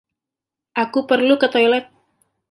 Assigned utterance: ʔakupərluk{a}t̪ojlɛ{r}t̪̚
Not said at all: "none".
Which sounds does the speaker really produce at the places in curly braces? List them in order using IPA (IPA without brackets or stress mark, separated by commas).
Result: ə, none